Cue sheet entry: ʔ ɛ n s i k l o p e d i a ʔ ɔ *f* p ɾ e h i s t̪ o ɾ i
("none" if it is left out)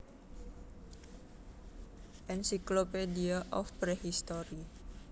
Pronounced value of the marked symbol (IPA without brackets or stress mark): f